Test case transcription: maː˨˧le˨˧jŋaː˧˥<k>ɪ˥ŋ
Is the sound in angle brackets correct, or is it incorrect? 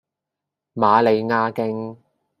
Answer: correct